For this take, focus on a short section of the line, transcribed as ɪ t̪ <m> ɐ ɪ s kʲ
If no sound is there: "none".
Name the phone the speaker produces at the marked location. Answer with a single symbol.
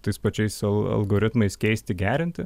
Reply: m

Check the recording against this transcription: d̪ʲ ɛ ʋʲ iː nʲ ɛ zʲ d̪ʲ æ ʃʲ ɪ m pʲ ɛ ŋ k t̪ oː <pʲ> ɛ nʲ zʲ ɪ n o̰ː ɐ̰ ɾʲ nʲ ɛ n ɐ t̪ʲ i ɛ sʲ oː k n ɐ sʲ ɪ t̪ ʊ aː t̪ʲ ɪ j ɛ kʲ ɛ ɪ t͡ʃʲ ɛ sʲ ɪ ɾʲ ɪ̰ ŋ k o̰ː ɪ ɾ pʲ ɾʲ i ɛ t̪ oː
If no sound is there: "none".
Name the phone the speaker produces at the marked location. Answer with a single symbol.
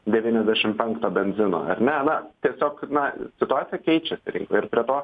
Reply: bʲ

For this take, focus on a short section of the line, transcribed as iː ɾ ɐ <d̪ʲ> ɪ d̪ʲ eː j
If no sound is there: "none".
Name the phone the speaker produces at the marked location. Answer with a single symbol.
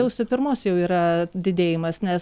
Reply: d̪ʲ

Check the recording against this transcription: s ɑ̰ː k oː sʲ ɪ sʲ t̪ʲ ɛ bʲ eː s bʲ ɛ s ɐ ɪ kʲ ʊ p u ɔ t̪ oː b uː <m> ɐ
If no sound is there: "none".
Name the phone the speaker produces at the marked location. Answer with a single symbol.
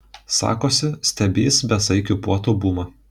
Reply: m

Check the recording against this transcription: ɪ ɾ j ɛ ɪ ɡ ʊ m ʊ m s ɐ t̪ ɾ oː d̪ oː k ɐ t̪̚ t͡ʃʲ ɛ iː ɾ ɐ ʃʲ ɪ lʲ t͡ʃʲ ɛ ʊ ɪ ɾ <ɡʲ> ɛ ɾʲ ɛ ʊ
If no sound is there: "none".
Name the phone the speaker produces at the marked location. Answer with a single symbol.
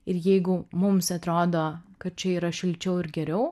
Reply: ɡʲ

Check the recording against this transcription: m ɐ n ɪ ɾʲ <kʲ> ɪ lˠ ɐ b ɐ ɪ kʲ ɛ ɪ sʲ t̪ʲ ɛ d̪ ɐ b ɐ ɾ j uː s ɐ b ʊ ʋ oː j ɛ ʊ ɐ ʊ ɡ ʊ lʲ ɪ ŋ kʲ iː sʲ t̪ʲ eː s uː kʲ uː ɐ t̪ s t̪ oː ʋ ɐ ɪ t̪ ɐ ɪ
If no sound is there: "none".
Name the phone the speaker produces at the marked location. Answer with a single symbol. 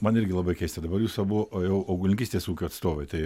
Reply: ɡʲ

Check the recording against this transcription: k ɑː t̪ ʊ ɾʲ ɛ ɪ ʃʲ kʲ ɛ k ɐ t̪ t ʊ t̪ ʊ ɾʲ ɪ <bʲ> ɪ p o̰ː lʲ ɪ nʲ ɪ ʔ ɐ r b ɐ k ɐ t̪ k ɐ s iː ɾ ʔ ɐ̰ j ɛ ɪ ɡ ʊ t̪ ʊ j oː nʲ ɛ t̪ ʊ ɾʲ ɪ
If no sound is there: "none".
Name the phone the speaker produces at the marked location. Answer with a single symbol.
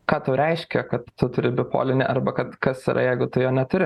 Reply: bʲ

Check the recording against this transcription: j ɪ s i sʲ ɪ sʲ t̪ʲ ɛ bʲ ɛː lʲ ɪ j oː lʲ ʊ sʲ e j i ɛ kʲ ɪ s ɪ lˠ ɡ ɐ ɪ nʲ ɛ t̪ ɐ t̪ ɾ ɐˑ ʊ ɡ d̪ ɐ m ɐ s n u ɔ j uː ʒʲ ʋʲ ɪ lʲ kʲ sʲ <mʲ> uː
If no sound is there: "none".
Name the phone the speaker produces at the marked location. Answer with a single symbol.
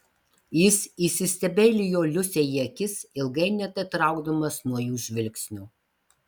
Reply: nʲ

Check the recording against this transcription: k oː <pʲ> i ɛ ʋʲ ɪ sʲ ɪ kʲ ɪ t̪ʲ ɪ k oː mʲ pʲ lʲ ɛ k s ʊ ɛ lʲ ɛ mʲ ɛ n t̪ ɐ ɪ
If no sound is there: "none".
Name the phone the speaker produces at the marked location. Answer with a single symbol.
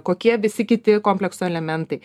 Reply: kʲ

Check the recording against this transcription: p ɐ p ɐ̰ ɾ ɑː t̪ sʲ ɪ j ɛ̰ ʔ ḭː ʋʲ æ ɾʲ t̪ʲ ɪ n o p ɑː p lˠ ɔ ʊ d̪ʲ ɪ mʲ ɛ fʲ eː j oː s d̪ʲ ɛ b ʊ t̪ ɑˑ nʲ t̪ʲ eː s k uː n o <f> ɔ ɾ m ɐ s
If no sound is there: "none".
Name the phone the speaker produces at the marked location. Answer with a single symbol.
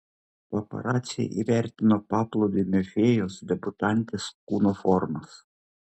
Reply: f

